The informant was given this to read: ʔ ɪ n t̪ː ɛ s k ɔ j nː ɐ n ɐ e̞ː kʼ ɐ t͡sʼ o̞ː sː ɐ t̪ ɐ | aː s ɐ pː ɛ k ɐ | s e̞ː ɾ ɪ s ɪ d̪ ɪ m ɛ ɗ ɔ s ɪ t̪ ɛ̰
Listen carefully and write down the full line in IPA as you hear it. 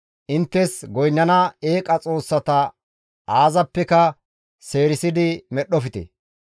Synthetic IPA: ʔ ɪ n t̪ː ɛ s ɡ ɔ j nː ɐ n ɐ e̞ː kʼ ɐ t͡sʼ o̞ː sː ɐ t̪ ɐ | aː z ɐ pː ɛ k ɐ | s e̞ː ɾ ɪ s ɪ d̪ ɪ m ɛ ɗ ɔ f ɪ t̪ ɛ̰